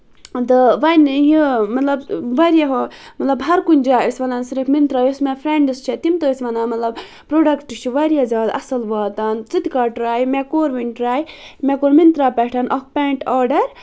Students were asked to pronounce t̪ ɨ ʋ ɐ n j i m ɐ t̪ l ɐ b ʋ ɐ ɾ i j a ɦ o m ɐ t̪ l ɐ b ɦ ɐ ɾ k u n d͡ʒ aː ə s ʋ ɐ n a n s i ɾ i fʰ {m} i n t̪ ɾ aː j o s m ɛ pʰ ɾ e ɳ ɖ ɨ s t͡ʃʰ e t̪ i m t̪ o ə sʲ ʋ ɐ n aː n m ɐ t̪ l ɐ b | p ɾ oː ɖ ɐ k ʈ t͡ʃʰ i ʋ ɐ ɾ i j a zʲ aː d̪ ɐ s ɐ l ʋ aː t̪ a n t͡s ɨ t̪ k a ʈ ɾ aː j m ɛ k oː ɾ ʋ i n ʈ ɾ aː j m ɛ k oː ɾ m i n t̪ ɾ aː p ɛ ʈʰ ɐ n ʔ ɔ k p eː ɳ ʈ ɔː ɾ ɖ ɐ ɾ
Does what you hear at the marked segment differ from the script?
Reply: no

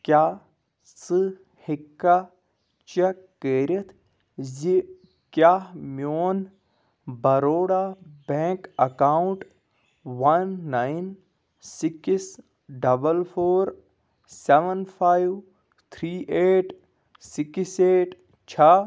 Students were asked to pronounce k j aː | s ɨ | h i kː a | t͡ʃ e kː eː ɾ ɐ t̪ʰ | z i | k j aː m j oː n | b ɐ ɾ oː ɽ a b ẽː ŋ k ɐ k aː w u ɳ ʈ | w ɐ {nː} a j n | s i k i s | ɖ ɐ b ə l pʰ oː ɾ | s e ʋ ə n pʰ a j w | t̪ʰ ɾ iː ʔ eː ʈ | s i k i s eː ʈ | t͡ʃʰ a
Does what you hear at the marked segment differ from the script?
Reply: no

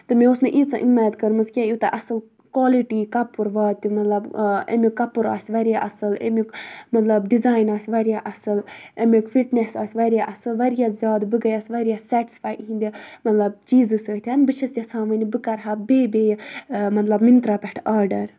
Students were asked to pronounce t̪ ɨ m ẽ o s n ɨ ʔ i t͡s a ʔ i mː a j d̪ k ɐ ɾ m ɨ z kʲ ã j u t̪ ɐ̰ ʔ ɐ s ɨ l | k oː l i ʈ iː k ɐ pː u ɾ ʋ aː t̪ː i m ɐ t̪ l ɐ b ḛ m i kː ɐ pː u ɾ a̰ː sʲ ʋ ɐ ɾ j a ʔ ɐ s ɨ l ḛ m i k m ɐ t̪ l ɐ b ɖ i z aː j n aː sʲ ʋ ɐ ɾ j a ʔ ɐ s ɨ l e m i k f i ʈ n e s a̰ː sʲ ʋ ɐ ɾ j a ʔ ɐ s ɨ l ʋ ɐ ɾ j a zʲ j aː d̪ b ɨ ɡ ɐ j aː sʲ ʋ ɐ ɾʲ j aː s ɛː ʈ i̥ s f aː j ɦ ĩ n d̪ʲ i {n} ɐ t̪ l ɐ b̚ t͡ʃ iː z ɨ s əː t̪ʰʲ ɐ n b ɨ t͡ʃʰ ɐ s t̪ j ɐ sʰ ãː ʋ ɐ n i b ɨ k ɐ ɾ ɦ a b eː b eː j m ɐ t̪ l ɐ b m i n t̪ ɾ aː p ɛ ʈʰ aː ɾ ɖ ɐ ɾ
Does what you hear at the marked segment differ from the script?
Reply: yes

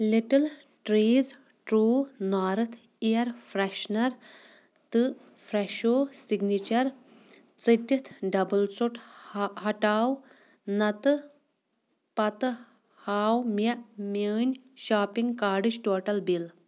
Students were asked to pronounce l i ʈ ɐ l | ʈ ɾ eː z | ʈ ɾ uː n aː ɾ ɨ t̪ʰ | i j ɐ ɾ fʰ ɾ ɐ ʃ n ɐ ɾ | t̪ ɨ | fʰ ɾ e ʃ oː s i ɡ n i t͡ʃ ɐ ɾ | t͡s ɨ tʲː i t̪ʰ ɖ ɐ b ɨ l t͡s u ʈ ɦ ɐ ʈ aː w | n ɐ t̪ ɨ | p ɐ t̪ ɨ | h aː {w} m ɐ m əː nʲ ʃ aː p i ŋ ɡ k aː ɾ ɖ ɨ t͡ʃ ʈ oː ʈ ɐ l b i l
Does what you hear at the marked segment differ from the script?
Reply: no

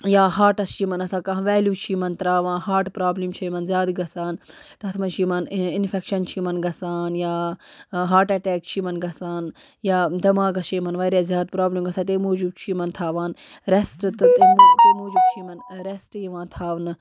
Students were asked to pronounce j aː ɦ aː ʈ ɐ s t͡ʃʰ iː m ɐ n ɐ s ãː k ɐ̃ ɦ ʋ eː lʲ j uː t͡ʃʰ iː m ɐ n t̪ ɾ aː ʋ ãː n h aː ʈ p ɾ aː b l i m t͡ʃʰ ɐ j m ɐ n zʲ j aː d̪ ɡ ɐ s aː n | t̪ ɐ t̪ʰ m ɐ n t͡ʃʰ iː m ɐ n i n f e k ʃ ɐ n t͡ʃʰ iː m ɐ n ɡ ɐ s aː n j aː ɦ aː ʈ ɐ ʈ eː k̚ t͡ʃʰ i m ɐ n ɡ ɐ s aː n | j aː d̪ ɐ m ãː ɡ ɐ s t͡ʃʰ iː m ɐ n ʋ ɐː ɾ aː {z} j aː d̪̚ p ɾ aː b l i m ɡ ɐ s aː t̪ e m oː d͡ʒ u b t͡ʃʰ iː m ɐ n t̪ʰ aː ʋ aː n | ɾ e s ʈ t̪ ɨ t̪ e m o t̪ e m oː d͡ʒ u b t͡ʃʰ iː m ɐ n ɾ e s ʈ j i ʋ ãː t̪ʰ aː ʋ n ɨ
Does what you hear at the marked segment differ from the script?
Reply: no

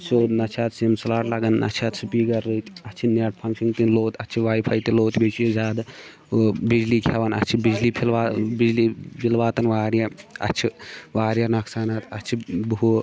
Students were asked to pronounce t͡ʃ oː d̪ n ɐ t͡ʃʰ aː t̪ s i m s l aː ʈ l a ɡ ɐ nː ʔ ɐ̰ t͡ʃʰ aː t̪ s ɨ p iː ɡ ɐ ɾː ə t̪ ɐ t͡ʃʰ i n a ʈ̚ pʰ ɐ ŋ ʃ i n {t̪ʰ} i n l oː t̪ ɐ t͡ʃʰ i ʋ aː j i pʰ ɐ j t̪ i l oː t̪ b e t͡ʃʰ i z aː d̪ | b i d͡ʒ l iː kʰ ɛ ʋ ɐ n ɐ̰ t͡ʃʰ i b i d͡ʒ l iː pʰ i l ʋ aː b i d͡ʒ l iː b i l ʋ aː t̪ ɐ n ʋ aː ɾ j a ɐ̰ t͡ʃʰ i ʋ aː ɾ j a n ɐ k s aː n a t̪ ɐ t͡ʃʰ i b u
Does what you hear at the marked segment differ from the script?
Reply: yes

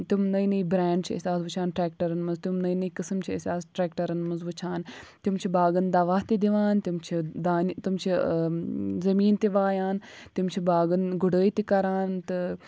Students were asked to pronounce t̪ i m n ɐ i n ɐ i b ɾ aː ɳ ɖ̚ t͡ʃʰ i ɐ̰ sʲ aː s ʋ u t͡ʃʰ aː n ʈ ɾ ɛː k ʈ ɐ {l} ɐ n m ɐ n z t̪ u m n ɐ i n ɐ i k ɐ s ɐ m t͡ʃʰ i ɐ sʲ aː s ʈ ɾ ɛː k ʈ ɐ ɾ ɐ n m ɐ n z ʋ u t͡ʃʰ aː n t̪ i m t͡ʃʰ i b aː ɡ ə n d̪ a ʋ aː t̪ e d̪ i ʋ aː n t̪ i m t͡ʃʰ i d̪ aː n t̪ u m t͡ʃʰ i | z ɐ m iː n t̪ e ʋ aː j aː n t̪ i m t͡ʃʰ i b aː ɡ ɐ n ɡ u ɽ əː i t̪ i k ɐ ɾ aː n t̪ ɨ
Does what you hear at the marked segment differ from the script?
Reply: yes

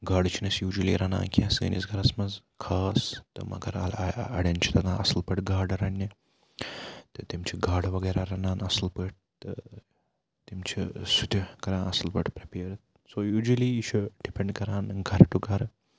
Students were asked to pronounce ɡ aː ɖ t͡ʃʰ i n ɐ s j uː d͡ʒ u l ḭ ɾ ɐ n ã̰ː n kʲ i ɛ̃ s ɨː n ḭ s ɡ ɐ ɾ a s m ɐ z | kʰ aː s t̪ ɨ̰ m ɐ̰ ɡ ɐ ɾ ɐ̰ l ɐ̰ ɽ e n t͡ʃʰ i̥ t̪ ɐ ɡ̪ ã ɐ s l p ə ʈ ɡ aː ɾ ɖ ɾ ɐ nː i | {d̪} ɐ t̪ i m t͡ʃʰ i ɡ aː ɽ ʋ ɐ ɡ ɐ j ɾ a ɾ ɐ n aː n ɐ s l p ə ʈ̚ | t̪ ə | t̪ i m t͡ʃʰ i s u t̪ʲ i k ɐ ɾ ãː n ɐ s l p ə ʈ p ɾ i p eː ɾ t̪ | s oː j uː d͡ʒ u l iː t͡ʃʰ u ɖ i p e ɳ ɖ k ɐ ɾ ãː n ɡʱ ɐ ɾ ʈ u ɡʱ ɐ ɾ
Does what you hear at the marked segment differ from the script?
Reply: yes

